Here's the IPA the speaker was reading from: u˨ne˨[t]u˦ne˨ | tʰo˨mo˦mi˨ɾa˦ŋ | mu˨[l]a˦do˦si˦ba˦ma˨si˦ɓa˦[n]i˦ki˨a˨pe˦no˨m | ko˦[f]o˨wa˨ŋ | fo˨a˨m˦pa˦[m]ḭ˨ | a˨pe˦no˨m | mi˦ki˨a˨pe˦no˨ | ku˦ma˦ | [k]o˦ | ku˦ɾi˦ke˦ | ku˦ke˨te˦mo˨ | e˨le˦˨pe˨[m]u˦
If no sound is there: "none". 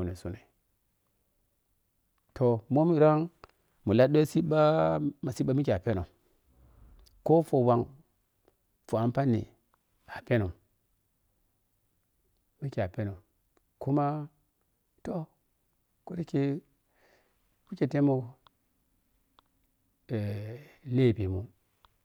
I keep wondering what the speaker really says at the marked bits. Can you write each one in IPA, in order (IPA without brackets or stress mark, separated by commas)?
s, l, m, f, n, t, m